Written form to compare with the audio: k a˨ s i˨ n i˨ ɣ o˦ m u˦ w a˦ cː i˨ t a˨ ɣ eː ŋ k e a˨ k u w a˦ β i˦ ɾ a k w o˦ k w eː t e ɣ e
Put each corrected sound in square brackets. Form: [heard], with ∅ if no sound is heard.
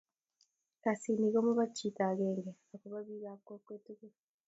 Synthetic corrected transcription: k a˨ s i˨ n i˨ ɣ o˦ m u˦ [β] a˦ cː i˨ t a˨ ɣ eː ŋ [ɡ] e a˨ k u [β] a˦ β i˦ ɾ a k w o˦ k w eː t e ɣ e